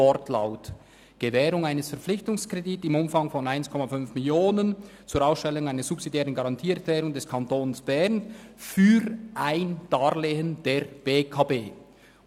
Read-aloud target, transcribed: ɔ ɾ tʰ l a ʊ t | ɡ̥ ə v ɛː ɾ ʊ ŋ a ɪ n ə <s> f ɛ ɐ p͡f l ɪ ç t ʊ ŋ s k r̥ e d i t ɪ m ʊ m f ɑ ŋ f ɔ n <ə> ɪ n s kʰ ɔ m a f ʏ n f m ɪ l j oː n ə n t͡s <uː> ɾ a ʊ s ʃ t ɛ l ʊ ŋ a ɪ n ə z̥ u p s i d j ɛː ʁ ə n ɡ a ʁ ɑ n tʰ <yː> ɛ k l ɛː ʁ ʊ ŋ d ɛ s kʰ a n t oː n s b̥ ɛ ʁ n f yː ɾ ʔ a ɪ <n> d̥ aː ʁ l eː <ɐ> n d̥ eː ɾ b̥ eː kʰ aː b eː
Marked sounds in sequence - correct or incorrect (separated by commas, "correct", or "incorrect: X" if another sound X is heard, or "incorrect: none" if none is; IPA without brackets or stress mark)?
correct, incorrect: a, correct, incorrect: iː, correct, incorrect: ə